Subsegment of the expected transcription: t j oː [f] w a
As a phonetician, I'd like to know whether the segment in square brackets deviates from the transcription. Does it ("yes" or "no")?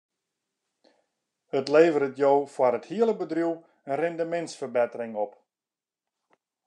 no